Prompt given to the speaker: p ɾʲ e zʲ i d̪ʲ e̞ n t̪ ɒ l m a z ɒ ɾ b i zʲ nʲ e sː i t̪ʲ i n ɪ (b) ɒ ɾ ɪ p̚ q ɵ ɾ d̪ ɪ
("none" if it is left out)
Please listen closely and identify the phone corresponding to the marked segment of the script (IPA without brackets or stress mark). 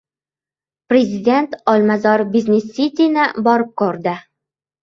b